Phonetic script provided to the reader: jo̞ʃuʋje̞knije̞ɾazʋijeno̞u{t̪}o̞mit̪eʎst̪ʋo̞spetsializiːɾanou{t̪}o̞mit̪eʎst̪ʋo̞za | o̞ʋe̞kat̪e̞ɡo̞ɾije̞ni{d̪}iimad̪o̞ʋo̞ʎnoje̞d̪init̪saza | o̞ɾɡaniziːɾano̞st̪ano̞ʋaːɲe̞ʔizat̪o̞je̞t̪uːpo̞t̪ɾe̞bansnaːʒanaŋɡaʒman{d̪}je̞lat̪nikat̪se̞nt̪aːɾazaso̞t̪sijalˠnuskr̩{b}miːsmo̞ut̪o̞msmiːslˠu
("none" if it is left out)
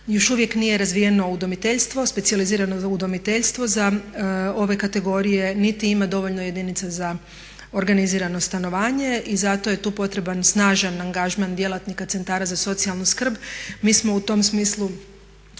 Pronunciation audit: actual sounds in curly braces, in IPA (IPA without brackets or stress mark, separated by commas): d̪, d̪, t̪, d̪, b